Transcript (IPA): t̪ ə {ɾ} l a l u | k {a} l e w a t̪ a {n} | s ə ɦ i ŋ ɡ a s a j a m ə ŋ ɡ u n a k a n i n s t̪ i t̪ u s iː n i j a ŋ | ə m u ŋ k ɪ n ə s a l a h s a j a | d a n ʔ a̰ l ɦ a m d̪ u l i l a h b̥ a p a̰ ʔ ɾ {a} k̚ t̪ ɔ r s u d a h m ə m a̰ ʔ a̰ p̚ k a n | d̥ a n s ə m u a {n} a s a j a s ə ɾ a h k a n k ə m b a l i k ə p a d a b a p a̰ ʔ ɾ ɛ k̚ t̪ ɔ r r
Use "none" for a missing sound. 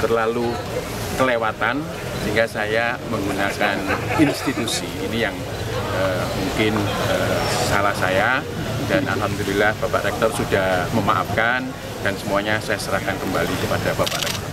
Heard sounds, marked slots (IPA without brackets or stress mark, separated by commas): r, ə, n, ɛ, ɲ